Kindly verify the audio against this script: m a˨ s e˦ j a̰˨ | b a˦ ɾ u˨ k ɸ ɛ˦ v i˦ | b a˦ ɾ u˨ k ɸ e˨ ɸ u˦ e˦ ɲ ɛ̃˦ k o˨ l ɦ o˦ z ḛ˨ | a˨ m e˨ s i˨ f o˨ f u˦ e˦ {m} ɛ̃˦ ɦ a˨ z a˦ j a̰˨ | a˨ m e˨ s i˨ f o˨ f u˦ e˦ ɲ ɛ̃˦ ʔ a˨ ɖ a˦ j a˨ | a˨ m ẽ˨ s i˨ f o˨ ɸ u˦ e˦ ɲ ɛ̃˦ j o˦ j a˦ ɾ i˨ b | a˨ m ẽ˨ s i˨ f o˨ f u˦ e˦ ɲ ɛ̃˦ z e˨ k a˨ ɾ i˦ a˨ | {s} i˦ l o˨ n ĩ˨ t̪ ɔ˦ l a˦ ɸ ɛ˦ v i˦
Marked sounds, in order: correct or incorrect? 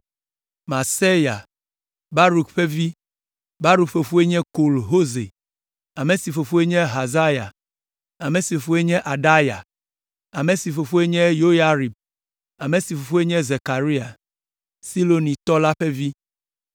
incorrect: ɲ, correct

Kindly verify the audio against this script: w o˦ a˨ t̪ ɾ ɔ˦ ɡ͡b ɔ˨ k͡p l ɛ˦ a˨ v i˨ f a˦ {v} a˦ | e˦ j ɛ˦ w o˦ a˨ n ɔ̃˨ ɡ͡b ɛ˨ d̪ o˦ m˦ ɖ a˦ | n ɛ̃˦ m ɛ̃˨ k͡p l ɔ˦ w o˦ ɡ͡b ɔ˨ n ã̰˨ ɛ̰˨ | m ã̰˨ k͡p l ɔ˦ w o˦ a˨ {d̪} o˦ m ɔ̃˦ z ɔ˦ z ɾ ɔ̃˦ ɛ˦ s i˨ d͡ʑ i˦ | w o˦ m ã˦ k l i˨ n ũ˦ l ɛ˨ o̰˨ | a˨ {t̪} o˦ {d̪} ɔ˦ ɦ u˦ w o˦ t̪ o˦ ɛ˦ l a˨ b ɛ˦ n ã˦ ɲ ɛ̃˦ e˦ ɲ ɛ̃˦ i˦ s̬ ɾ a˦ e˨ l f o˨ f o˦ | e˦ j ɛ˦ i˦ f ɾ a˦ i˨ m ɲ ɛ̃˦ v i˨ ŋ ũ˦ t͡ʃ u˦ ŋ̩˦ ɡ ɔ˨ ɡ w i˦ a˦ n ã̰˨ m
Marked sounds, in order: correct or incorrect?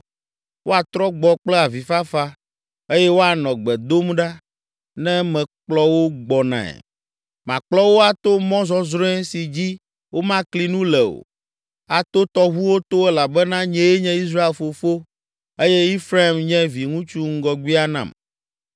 incorrect: f, incorrect: t̪, correct, incorrect: t̪

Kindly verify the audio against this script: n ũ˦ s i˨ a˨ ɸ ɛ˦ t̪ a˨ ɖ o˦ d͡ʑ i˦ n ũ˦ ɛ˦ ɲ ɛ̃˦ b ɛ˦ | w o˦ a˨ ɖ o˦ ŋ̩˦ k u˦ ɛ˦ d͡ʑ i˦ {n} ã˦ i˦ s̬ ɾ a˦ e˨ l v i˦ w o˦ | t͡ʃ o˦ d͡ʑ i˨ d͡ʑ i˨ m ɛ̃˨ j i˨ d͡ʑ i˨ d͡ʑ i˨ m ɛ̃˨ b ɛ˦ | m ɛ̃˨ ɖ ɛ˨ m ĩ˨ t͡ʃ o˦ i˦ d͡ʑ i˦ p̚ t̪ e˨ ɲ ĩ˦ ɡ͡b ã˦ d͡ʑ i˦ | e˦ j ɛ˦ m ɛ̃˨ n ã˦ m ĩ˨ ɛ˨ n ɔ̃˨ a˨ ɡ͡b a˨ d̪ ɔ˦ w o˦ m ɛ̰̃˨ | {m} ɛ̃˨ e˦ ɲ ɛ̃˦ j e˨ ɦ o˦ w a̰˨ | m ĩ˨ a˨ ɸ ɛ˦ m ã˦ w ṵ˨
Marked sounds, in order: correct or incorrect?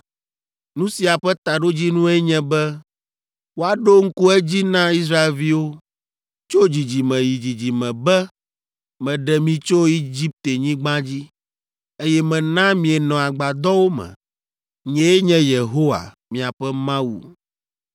correct, incorrect: ɲ

